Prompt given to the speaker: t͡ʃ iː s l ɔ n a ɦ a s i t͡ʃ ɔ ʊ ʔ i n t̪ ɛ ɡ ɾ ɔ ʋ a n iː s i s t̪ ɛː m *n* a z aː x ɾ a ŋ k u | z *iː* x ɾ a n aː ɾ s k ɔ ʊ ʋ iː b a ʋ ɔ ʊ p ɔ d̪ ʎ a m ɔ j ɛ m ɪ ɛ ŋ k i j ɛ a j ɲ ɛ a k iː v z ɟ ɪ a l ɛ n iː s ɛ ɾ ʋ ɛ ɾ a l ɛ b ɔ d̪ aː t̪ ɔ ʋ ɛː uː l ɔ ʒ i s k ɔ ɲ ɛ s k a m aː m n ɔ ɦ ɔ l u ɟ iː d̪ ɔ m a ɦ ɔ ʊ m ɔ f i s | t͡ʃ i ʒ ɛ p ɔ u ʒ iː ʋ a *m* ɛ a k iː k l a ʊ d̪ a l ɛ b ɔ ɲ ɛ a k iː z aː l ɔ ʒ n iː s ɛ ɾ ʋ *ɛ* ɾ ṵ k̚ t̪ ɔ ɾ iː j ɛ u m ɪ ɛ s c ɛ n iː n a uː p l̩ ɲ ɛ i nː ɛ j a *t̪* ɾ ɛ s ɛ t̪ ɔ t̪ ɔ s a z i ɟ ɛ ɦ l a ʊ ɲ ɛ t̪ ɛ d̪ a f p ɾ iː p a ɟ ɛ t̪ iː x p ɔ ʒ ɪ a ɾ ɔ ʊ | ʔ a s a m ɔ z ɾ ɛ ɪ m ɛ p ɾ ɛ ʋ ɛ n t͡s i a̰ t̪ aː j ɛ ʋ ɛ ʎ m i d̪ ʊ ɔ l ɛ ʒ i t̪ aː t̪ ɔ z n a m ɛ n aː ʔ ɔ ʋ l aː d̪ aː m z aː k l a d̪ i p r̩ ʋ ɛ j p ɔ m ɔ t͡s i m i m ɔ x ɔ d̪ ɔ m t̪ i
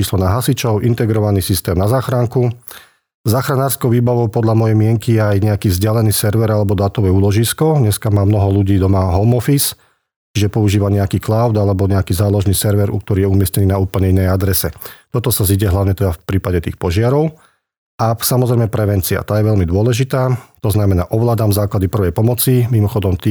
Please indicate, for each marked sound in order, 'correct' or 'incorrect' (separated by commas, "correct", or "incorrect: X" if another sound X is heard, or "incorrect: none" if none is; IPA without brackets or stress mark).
correct, incorrect: aː, incorrect: ɲ, correct, incorrect: d̪